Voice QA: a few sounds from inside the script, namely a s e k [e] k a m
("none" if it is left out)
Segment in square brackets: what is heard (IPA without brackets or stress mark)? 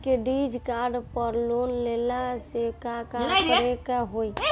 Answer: a